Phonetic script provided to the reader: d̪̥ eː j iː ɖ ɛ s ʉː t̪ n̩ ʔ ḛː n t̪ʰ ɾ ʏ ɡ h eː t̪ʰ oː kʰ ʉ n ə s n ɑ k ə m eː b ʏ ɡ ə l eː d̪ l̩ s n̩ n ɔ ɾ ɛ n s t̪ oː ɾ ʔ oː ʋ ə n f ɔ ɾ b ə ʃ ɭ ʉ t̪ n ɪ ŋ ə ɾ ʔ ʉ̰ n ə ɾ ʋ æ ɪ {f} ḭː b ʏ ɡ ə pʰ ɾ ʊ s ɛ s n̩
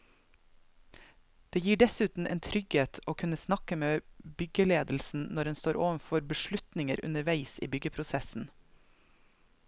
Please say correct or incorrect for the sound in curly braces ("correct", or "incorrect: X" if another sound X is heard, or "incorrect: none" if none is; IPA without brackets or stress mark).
incorrect: s